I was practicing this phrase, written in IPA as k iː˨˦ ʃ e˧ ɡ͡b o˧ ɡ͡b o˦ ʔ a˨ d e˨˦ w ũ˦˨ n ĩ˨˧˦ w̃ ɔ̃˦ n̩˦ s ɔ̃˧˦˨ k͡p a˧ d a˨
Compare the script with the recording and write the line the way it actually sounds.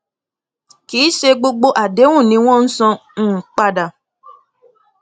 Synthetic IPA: k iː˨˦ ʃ e˧ ɡ͡b o˧ ɡ͡b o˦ ʔ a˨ d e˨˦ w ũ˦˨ n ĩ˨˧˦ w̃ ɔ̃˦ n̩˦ s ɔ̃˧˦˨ k͡p a˧ d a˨